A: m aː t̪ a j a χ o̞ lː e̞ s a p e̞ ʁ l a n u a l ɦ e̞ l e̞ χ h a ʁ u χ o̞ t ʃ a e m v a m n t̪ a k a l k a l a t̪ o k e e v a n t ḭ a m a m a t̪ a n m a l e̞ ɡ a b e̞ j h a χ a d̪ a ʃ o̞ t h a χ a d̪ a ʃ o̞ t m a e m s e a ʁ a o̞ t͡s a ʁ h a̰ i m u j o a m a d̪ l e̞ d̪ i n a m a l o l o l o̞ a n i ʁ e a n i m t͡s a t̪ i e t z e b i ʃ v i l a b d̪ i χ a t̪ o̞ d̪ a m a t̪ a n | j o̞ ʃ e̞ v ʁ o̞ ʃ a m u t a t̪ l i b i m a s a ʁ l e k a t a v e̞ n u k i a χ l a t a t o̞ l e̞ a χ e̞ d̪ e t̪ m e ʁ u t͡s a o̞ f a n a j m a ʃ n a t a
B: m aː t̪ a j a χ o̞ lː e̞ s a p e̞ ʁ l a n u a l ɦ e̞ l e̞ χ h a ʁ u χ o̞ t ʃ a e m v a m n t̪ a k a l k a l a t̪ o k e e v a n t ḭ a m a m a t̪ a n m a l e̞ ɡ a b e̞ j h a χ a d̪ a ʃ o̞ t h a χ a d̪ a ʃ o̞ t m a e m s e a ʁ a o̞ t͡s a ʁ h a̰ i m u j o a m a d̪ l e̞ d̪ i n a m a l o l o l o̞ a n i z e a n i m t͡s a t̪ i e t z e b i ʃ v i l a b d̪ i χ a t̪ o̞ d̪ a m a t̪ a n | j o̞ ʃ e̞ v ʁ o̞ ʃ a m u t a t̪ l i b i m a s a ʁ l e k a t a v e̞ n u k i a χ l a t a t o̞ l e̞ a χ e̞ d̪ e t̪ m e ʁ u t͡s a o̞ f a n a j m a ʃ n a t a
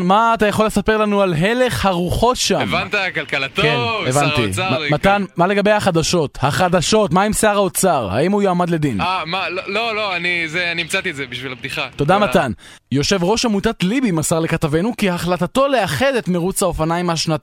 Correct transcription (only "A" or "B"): B